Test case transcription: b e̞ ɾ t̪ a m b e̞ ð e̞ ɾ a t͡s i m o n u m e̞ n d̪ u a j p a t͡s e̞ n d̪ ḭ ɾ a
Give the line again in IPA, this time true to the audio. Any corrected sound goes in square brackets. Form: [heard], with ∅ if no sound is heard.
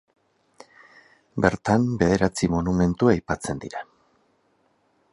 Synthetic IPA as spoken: b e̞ ɾ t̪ a m b e̞ ð e̞ ɾ a t͡s i m o n u m e̞ n [t̪] u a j p a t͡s e̞ n d̪ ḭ ɾ a